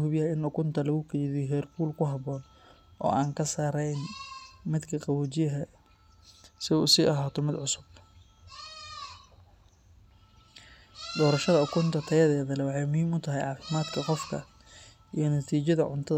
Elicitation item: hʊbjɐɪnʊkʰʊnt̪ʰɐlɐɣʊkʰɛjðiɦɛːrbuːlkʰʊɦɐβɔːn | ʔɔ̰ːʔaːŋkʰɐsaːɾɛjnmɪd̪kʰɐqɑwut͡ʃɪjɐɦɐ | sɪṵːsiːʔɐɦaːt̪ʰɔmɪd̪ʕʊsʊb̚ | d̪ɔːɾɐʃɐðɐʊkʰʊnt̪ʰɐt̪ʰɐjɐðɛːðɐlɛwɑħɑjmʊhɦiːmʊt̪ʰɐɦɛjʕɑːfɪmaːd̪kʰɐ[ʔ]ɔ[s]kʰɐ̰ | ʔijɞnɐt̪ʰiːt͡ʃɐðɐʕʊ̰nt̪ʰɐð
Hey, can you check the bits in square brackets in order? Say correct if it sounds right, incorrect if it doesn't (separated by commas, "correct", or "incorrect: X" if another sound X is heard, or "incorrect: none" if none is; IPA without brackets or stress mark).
incorrect: q, incorrect: f